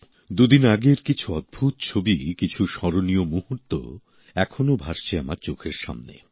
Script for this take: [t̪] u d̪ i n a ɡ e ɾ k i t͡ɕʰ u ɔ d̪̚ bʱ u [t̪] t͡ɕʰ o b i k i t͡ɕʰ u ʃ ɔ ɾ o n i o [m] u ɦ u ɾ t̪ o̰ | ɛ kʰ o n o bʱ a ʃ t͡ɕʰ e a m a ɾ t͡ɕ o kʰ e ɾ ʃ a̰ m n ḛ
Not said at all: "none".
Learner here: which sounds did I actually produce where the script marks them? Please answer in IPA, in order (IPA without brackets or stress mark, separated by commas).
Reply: d̪, t̪, m